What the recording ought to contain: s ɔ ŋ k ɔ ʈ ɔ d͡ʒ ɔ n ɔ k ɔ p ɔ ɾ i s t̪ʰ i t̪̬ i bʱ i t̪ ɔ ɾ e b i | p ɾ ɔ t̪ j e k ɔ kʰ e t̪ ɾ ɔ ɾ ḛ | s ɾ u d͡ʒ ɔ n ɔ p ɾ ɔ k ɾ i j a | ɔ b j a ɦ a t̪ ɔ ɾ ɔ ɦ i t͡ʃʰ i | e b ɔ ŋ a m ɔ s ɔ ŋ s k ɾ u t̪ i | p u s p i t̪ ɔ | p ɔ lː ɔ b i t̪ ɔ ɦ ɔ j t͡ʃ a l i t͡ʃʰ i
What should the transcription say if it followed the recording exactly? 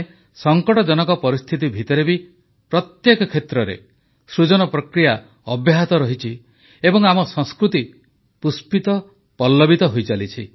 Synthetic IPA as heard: s ɔ ŋ k ɔ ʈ ɔ d͡ʒ ɔ n ɔ k ɔ p ɔ ɾ i s t̪ʰ i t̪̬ i bʱ i t̪ ɔ ɾ e b i | p ɾ ɔ t̪ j e k ɔ kʰ e t̪ ɾ ɔ ɾ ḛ | s ɾ u d͡ʒ ɔ n ɔ p ɾ ɔ k ɾ i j a | ɔ b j a ɦ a t̪ ɔ ɾ ɔ ɦ i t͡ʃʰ i | e b ɔ ŋ a m ɔ s ɔ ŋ s k ɾ u t̪ i | p u s p i t̪ ɔ | p ɔ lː ɔ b i t̪ ɔ ɦ o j t͡ʃ a l i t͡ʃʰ i